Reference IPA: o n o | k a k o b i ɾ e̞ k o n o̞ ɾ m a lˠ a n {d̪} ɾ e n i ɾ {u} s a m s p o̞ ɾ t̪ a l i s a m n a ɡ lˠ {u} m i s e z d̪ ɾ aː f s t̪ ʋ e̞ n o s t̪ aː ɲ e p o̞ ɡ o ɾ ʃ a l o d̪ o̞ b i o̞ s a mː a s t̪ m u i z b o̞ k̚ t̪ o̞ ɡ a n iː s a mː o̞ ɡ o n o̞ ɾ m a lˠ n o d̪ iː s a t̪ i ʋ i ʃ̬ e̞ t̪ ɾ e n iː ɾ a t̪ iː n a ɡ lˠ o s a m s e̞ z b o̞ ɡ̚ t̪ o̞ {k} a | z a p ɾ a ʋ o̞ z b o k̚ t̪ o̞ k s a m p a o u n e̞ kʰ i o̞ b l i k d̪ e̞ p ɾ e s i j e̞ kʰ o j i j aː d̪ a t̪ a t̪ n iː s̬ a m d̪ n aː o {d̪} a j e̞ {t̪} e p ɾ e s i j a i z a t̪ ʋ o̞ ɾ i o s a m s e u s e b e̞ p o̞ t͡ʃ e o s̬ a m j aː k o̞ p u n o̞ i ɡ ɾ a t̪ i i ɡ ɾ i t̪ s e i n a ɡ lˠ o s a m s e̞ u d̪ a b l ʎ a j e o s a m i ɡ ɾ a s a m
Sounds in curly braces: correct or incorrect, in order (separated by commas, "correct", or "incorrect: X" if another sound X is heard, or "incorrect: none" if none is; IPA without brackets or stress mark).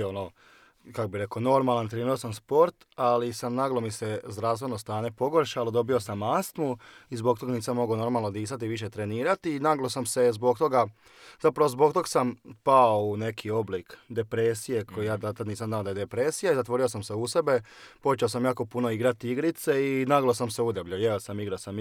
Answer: incorrect: t̪, incorrect: o, incorrect: o, incorrect: ɡ, correct, incorrect: d̪